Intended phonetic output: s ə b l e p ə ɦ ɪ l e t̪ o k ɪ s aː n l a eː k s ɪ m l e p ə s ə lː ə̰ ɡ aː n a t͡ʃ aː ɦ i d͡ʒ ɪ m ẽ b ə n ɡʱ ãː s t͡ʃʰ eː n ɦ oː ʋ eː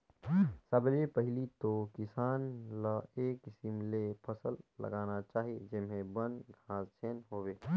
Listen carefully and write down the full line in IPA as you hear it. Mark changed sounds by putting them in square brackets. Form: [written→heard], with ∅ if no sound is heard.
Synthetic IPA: s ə b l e p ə ɦ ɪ l [e→i] t̪ o k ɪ s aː n l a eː k s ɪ m l e [p→pʰ] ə s ə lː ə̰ ɡ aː n a t͡ʃ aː ɦ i d͡ʒ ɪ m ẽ b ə n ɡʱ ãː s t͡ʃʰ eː n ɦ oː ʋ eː